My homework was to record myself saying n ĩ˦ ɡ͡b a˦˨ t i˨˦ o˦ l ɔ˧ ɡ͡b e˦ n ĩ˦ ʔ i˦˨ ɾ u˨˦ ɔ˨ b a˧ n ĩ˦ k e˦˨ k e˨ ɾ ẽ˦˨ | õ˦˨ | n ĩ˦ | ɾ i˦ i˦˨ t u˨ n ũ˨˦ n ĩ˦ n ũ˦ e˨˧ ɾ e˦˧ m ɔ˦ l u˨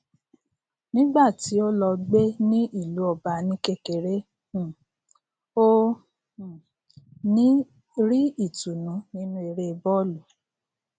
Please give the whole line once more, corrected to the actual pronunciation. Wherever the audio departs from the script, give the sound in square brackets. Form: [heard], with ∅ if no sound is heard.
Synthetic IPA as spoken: n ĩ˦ ɡ͡b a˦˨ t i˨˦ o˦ l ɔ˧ ɡ͡b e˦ n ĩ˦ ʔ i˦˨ [l] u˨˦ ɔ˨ b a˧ n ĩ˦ k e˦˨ k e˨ ɾ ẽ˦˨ | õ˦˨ | n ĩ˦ | ɾ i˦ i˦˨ t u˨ n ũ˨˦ n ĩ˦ n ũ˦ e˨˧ ɾ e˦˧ [b] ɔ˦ l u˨